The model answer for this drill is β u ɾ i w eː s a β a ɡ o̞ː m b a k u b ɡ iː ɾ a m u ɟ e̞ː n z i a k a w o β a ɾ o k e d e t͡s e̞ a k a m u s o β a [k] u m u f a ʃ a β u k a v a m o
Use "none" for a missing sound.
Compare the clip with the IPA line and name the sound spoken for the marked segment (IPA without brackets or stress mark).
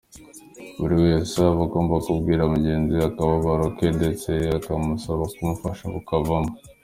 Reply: k